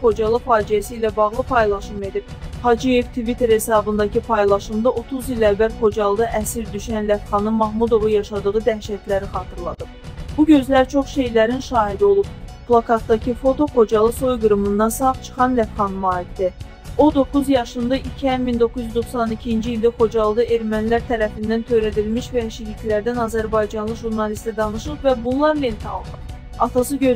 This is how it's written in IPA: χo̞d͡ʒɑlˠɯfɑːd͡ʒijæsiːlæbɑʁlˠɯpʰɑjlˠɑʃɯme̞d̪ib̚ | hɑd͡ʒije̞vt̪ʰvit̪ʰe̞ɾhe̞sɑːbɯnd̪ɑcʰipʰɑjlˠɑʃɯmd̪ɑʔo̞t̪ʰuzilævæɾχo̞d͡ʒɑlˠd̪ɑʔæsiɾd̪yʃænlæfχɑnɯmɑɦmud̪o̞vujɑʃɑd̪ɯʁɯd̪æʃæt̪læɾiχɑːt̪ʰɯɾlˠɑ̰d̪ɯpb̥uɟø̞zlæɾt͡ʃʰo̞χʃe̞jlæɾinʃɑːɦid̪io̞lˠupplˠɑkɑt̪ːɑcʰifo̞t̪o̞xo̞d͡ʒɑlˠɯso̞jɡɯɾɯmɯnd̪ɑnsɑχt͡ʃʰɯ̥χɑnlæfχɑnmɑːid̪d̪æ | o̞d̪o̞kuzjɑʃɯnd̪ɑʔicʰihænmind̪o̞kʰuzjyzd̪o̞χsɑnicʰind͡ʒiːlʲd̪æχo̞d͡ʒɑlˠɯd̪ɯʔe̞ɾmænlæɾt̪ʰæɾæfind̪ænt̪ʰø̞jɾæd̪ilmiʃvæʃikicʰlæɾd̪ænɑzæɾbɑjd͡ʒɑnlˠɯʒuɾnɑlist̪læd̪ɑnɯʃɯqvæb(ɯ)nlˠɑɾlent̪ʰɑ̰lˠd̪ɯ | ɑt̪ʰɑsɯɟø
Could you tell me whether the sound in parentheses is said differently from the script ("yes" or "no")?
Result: yes